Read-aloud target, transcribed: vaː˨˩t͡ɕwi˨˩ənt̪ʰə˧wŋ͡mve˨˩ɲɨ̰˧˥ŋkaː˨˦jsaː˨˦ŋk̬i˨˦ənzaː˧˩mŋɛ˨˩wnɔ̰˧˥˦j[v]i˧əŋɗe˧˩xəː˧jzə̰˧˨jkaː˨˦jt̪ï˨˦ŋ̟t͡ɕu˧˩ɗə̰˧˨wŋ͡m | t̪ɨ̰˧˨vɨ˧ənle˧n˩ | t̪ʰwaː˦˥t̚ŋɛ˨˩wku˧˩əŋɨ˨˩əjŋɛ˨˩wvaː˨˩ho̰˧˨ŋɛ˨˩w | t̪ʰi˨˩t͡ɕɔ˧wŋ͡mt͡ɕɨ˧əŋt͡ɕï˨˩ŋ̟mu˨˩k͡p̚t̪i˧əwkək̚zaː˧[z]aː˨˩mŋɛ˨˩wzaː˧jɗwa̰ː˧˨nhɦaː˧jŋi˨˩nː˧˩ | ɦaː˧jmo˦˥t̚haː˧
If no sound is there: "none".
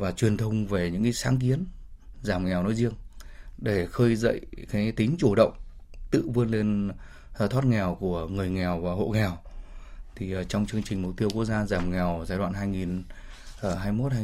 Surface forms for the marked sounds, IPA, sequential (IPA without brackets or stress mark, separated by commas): z, z